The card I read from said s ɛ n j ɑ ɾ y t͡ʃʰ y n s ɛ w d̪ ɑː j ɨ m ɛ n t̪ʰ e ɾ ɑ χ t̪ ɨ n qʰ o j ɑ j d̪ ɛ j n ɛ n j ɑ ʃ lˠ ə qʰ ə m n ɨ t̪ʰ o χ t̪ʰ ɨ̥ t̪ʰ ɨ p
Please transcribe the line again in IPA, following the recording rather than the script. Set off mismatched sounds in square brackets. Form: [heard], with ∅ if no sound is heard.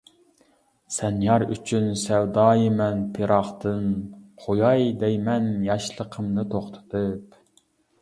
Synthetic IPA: s ɛ n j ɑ ɾ y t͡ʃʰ y n s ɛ w d̪ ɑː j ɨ m ɛ n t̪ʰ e ɾ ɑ χ t̪ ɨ n qʰ o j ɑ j d̪ ɛ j [m] ɛ n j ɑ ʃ lˠ ə qʰ ə m n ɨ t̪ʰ o χ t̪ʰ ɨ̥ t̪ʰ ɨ p

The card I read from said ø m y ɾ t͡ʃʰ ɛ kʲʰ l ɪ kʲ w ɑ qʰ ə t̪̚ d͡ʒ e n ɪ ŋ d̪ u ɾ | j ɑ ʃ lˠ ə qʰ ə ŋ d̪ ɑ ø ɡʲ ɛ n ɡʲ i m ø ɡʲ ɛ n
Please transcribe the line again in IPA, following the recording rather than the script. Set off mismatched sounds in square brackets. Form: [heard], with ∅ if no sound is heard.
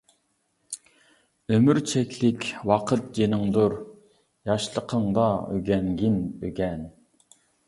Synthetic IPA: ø m y ɾ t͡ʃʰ ɛ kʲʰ l ɪ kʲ w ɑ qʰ ə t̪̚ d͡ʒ e n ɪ ŋ d̪ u ɾ | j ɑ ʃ lˠ ə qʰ ə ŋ d̪ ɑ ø ɡʲ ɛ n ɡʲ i [n] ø ɡʲ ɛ n

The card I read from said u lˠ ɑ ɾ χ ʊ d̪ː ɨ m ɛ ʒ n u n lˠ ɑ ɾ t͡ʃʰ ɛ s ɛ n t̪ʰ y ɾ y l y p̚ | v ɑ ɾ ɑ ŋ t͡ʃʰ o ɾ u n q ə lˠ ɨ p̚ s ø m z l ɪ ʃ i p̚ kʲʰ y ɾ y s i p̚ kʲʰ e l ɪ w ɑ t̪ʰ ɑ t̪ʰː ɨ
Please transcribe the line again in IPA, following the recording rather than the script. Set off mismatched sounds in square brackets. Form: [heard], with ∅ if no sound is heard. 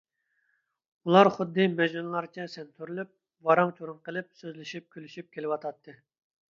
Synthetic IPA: u lˠ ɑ ɾ χ ʊ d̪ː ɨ m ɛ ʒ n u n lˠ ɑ ɾ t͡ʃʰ ɛ s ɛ n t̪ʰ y ɾ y l y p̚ | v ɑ ɾ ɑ ŋ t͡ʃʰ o ɾ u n q ə lˠ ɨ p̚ s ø [∅] z l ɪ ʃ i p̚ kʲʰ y [l] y [ʃ] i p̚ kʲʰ e l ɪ w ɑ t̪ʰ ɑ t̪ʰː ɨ

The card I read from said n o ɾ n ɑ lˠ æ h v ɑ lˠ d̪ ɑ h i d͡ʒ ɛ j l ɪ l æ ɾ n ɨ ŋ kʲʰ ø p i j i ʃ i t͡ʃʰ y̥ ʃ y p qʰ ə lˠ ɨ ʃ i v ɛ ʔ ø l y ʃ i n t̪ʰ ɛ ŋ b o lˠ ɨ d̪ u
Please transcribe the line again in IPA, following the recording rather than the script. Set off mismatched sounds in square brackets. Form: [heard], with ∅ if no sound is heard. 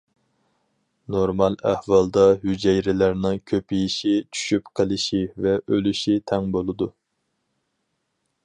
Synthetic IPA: n o ɾ [m] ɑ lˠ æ h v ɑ lˠ d̪ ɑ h [y] d͡ʒ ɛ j [ɾ] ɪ l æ ɾ n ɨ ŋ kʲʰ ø p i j i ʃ i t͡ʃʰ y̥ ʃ y p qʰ ə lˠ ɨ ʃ i v ɛ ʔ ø l y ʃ i [∅] t̪ʰ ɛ ŋ b o lˠ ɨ d̪ u

